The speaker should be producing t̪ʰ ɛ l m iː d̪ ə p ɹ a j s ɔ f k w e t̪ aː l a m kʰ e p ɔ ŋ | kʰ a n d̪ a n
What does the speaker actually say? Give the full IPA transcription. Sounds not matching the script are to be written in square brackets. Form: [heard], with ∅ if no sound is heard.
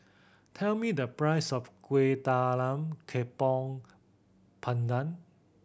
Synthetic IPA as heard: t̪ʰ ɛ l m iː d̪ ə p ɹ a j s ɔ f k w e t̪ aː l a m kʰ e p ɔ ŋ | [pʰ] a n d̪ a n

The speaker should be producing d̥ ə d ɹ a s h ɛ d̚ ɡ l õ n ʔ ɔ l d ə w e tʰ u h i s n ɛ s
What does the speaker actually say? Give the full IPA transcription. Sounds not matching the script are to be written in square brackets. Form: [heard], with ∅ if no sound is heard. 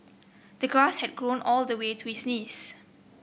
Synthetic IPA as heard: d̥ ə [ɡ] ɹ a s h ɛ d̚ ɡ [ɹ] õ n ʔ ɔ l d ə w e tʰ u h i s n [i] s

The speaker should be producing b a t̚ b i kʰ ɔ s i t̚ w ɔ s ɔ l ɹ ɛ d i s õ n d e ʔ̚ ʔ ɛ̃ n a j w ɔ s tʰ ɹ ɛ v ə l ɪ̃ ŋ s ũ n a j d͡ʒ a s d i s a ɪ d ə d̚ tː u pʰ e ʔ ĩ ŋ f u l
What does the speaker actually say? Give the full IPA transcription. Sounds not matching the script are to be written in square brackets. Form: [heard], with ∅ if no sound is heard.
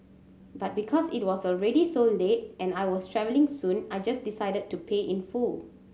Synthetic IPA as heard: b a t̚ b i kʰ ɔ s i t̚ w ɔ s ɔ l ɹ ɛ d i s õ n d e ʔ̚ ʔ ɛ̃ n a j w ɔ s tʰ ɹ ɛ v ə l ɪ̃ ŋ s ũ n a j d͡ʒ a s d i s a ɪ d ə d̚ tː u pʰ e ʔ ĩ [n] f u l

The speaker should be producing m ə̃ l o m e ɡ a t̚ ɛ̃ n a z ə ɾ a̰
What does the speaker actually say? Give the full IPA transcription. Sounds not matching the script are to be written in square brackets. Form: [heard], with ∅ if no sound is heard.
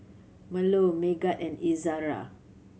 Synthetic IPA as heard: m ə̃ l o m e ɡ a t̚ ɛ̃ n [i] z [a] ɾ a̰

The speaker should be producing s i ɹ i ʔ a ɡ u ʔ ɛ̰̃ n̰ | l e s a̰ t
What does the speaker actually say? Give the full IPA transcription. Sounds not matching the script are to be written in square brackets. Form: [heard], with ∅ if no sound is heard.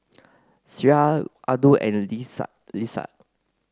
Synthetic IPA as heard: s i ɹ [a] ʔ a [d] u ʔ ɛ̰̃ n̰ | l [i] s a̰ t

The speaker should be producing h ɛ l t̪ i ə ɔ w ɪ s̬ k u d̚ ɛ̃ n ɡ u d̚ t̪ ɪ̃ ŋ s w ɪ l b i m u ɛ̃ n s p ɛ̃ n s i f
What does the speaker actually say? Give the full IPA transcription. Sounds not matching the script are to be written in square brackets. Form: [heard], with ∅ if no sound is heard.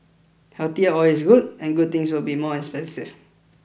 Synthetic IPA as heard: h ɛ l t̪ i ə ɔ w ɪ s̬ [ɡ] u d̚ ɛ̃ n ɡ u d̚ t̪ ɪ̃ ŋ s w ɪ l b i m [ɔ] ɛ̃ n s p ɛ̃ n s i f

